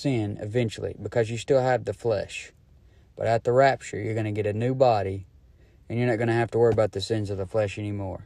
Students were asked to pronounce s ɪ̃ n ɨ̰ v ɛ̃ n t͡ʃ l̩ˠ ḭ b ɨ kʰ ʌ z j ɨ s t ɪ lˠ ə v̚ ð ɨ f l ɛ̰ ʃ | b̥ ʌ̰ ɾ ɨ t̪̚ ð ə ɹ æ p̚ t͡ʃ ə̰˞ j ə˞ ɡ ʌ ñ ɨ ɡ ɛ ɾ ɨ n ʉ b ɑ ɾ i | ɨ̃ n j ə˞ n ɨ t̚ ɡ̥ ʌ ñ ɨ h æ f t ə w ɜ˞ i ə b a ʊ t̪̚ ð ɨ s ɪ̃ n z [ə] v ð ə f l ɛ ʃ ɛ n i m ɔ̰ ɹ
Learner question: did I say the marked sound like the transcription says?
no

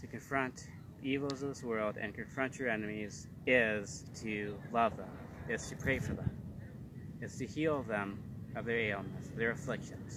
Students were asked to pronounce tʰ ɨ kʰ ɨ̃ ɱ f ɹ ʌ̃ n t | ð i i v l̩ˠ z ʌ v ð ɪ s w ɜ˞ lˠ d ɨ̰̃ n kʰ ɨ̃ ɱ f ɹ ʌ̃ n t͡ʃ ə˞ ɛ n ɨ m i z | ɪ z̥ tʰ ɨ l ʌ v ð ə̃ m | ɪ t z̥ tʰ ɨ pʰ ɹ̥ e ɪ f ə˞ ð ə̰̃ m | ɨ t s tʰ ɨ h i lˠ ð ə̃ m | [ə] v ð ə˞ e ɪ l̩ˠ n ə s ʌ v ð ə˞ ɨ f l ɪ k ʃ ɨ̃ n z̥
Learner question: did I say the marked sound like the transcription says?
no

